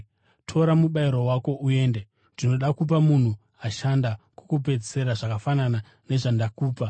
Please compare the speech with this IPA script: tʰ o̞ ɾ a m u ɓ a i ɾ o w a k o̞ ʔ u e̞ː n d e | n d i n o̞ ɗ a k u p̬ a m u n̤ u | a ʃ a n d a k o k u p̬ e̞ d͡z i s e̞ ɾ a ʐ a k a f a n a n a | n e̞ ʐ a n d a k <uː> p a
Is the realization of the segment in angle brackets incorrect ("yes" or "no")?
no